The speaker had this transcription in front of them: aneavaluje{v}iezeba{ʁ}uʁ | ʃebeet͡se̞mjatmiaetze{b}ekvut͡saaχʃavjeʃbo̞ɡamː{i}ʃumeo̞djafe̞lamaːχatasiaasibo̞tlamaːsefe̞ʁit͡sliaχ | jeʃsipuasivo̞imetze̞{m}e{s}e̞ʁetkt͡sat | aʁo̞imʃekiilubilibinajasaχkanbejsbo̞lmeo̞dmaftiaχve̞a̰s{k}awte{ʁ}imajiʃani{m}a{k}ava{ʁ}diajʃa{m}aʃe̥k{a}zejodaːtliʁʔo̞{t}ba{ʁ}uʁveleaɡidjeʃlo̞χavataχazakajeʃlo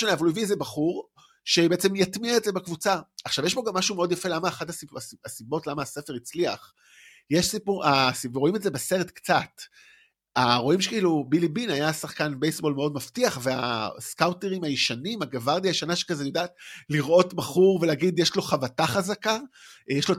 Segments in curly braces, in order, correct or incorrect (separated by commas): correct, incorrect, correct, incorrect, incorrect, correct, correct, correct, correct, incorrect, correct, incorrect, correct, correct, incorrect